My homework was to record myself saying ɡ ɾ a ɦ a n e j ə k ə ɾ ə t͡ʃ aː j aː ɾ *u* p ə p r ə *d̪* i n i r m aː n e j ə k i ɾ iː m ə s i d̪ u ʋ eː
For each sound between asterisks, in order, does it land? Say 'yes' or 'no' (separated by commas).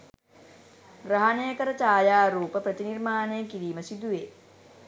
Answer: no, no